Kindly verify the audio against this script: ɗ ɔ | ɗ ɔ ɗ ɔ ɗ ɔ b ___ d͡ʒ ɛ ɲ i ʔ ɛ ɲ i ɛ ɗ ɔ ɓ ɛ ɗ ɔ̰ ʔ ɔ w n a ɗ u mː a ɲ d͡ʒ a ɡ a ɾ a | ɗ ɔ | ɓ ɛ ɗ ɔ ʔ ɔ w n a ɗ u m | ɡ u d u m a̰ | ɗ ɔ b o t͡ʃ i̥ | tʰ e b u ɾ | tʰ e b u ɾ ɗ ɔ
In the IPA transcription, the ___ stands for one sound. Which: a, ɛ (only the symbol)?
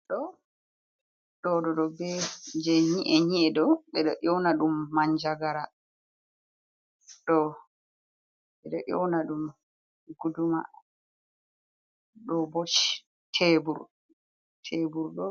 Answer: ɛ